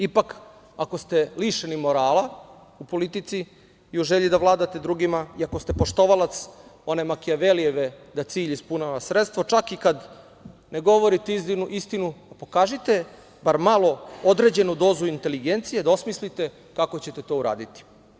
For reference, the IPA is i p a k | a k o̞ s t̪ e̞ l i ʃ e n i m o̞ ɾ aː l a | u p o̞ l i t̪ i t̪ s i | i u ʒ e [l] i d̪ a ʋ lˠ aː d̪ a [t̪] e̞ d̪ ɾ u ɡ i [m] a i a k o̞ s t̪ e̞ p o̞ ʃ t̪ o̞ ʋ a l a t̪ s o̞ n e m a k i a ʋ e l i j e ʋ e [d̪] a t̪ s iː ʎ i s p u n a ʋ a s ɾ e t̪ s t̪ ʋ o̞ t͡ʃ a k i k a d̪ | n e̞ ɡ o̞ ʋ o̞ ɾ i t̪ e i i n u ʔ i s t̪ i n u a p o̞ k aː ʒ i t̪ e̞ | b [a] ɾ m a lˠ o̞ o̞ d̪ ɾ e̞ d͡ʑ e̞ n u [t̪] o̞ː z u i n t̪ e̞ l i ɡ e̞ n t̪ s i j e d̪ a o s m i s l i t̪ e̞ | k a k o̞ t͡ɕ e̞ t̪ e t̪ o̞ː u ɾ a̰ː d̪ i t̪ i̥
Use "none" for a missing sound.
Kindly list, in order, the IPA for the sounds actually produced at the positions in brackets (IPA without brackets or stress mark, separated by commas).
ʎ, t̪, m, d̪, a, d̪